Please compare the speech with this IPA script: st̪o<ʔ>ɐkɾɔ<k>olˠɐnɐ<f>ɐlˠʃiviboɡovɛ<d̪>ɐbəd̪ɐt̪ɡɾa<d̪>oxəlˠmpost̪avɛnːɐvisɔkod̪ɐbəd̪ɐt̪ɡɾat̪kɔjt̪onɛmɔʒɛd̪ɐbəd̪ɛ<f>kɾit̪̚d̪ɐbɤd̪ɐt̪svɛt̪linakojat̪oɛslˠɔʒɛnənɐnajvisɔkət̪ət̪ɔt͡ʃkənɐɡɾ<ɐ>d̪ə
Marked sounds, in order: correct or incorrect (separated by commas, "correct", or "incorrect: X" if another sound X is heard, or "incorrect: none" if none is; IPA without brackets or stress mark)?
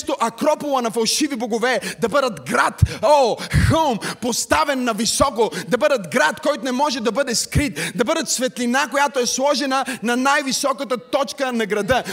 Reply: correct, incorrect: p, correct, correct, incorrect: t̪, incorrect: s, correct